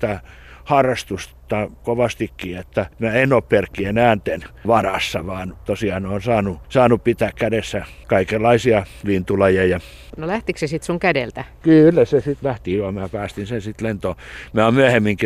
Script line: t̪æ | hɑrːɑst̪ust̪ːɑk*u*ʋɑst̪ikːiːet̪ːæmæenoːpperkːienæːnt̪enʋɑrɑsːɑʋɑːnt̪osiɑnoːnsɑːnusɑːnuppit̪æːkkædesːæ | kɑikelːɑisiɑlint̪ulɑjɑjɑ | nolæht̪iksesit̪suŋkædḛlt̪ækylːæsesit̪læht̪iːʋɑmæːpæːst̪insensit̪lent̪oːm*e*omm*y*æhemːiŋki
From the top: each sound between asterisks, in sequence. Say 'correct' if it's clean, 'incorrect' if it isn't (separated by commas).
incorrect, incorrect, correct